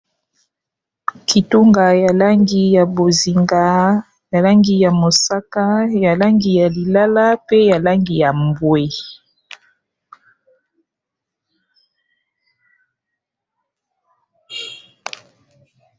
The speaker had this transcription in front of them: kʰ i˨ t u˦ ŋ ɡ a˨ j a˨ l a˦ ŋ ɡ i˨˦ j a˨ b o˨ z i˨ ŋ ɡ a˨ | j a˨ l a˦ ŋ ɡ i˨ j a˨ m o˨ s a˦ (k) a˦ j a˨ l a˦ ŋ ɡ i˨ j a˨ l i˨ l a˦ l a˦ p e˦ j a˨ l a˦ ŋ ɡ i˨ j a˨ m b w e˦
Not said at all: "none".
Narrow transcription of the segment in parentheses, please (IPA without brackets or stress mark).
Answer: k